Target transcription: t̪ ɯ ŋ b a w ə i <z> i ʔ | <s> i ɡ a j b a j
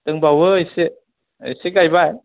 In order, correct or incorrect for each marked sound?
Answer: incorrect: s, correct

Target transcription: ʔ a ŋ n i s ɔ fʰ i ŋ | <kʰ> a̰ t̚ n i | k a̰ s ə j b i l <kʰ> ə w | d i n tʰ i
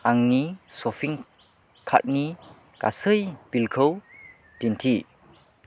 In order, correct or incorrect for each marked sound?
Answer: correct, correct

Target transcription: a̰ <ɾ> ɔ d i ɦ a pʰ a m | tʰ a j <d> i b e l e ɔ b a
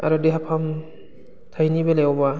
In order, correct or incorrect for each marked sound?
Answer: correct, incorrect: n

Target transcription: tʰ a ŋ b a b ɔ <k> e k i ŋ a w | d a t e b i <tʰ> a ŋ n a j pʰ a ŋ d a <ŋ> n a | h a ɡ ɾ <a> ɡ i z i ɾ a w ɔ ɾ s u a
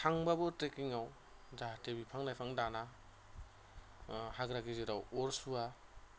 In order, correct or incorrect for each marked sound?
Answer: incorrect: t, incorrect: pʰ, incorrect: none, correct

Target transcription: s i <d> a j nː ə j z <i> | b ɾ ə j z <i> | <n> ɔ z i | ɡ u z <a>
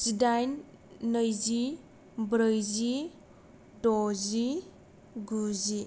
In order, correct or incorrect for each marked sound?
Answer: correct, correct, correct, incorrect: d, incorrect: i

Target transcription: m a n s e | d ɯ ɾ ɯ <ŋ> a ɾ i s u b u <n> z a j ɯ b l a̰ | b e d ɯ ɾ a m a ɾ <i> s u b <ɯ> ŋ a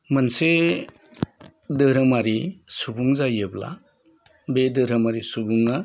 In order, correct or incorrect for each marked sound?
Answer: incorrect: m, incorrect: ŋ, correct, incorrect: u

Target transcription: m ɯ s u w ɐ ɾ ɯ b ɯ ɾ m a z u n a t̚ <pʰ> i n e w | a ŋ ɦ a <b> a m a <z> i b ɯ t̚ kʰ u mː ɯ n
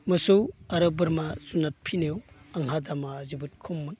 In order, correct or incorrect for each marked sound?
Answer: correct, incorrect: d, correct

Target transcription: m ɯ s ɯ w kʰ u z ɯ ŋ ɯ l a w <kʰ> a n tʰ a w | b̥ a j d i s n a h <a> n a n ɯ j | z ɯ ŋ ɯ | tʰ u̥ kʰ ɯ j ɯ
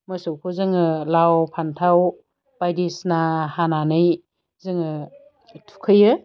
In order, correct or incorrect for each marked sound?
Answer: incorrect: pʰ, correct

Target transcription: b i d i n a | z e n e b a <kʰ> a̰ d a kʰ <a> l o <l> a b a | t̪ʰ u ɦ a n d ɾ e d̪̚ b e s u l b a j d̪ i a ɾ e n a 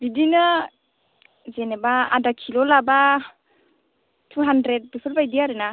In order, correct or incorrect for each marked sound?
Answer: incorrect: none, incorrect: i, correct

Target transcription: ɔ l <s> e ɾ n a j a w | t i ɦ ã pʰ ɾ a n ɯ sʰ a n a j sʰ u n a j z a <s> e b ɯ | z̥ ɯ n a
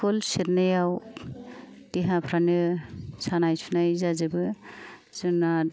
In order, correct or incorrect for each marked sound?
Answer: correct, incorrect: z

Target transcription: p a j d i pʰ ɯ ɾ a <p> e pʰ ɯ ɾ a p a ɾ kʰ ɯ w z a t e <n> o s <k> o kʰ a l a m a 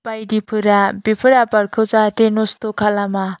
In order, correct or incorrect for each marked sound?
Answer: incorrect: b, correct, incorrect: t

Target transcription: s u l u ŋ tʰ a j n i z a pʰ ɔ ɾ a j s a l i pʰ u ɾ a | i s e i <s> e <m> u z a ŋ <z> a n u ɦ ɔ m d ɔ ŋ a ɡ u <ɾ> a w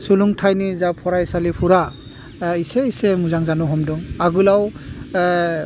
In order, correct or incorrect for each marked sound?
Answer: correct, correct, correct, incorrect: l

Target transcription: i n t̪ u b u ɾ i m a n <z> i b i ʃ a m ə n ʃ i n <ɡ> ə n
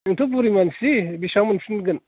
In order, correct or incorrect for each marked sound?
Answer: incorrect: s, correct

